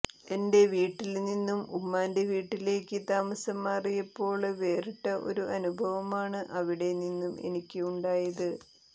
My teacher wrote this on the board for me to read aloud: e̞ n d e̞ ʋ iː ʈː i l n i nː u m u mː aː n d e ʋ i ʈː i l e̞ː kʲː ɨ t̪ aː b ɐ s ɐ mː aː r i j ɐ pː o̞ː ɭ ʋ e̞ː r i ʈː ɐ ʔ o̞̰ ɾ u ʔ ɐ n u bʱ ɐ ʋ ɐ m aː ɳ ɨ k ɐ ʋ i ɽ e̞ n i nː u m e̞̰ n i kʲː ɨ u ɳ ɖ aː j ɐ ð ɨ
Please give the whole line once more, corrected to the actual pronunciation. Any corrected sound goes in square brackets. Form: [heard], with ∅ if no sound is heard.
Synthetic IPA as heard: e̞ n d e̞ ʋ iː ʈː i l n i nː u m u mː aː n d e ʋ [iː] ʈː i l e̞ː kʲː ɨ t̪ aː [m] ɐ s ɐ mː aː r i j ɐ pː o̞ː ɭ ʋ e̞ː r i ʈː ɐ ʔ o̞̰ ɾ u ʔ ɐ n u bʱ ɐ ʋ ɐ m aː ɳ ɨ [ʔ] ɐ ʋ i ɽ e̞ n i nː u m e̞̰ n i kʲː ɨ u ɳ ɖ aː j ɐ ð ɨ

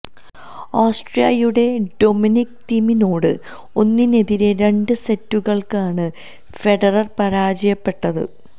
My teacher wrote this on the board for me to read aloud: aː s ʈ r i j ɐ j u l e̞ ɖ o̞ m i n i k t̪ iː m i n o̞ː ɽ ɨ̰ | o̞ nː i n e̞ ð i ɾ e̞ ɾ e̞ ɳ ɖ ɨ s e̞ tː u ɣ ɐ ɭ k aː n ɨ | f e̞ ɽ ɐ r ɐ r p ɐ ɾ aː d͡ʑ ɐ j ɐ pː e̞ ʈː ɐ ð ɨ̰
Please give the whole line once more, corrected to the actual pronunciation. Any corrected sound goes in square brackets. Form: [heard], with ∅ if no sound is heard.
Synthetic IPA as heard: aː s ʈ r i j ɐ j u [ɽ] e̞ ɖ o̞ m i n i k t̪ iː m i n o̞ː ɽ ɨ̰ | o̞ nː i n e̞ ð i ɾ e̞ ɾ e̞ ɳ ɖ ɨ s e̞ tː u ɣ ɐ ɭ k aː [ɳ] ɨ | f e̞ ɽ ɐ r ɐ r p ɐ ɾ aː d͡ʑ ɐ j ɐ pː e̞ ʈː ɐ ð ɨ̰

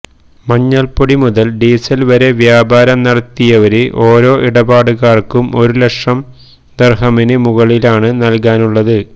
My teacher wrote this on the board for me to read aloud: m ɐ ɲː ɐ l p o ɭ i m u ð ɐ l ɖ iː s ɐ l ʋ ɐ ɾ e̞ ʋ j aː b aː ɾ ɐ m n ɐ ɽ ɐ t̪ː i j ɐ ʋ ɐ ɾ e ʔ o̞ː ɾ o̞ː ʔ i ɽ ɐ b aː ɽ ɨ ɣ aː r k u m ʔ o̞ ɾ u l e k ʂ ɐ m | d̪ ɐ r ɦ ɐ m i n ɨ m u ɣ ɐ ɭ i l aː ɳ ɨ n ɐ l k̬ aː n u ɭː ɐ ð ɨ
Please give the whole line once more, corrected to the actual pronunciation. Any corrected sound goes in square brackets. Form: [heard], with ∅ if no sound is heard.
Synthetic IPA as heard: m ɐ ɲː ɐ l p o [ɽ] i m u ð ɐ l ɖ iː s ɐ l ʋ ɐ ɾ e̞ ʋ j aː b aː ɾ ɐ m n ɐ ɽ ɐ t̪ː i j ɐ ʋ ɐ ɾ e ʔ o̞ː ɾ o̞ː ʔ i ɽ ɐ b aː ɽ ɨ ɣ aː r k u m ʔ o̞ ɾ u l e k ʂ ɐ m | d̪ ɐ r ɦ ɐ m i n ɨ m u ɣ ɐ ɭ i l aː ɳ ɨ n ɐ l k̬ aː n u ɭː ɐ ð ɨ

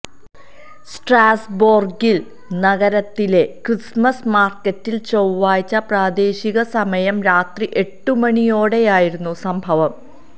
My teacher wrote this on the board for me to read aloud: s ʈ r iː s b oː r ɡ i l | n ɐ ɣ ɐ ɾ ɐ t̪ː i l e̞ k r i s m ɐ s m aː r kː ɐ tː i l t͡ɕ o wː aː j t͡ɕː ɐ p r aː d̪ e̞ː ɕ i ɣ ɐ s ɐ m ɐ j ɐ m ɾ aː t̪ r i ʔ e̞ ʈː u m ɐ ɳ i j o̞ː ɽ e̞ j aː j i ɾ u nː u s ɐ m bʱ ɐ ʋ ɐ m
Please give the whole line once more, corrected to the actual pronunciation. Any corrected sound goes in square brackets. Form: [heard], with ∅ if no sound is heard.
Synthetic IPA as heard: s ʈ r [aː] s b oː r ɡ i l | n ɐ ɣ ɐ ɾ ɐ t̪ː i l e̞ k r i s m ɐ s m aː r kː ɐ tː i l t͡ɕ o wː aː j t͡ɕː ɐ p r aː d̪ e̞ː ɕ i ɣ ɐ s ɐ m ɐ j ɐ m ɾ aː t̪ r i ʔ e̞ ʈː u m ɐ ɳ i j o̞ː ɽ e̞ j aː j i ɾ u nː u s ɐ m bʱ ɐ ʋ ɐ m

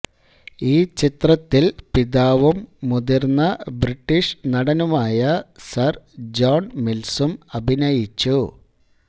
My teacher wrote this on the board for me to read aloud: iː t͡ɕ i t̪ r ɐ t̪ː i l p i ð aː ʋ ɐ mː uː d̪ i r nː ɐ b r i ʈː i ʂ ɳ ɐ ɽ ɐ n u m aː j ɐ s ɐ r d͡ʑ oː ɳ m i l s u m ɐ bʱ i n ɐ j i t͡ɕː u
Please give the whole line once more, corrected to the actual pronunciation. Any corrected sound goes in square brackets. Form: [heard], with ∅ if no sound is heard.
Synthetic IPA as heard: iː t͡ɕ i t̪ r ɐ t̪ː i l p i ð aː ʋ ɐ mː [u] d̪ i r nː ɐ b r i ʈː i ʂ [n] ɐ ɽ ɐ n u m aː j ɐ s ɐ r d͡ʑ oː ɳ m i l s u m ɐ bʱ i n ɐ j i t͡ɕː u

